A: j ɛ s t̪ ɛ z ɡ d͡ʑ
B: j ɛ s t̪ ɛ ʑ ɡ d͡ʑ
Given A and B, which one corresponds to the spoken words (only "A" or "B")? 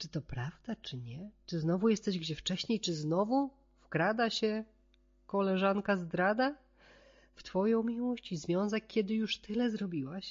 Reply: B